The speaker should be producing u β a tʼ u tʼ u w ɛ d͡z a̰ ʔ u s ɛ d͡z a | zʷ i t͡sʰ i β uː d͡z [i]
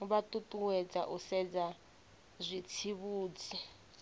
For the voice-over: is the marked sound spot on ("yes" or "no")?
yes